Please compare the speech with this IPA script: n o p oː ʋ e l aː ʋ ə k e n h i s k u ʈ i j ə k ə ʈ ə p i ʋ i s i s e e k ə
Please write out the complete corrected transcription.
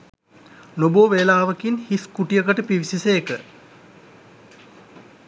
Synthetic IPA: n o b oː ʋ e l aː ʋ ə k i n h i s k u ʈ i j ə k ə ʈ ə p i ʋ i s i s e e k ə